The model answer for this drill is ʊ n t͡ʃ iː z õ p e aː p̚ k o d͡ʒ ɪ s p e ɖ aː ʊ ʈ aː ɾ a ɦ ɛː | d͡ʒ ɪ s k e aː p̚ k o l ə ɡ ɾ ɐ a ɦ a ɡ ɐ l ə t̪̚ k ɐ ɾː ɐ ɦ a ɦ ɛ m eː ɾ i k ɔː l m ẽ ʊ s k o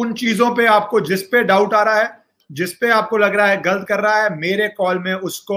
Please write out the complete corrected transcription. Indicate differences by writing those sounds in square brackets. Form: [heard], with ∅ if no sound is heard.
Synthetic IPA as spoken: ʊ n t͡ʃ iː z õ p e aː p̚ k o d͡ʒ ɪ s p e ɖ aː ʊ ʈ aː ɾ a ɦ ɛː | d͡ʒ ɪ s [p] e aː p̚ k o l [ɐ] ɡ ɾ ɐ a ɦ [ɛ] ɡ ɐ l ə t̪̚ k ɐ ɾː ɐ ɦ a ɦ ɛ m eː ɾ [e] k ɔː l m ẽ ʊ s k o